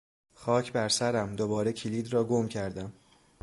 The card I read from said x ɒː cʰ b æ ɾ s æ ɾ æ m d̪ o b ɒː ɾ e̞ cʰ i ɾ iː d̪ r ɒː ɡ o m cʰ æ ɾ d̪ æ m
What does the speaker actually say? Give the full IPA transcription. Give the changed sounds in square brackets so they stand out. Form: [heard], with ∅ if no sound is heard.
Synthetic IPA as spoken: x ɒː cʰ b æ ɾ s æ ɾ æ m d̪ o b ɒː ɾ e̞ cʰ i [l] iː d̪ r ɒː ɡ o m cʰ æ ɾ d̪ æ m